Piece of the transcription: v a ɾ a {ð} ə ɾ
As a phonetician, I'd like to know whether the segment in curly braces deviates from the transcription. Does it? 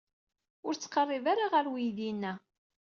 yes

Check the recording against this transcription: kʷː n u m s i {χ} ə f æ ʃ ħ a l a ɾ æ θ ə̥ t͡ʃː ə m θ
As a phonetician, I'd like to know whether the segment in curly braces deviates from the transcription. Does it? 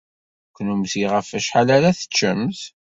yes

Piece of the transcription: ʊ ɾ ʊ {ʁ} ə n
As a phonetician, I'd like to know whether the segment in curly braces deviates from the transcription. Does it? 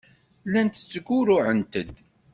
yes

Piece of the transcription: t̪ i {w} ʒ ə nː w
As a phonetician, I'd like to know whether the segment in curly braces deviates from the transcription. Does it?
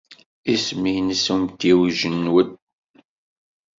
no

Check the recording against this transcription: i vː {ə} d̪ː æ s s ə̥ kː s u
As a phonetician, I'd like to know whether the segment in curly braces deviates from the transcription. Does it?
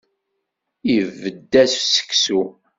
no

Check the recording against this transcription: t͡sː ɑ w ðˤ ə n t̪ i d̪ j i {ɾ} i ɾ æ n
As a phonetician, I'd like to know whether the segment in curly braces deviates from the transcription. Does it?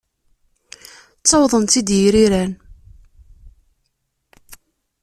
no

